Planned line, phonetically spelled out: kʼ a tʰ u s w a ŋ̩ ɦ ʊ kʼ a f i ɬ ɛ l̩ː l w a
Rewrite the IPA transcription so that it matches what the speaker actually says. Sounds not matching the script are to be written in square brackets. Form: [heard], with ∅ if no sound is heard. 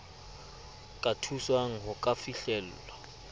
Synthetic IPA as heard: kʼ a tʰ u s w a ŋ̩ ɦ ʊ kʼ a f i ɬ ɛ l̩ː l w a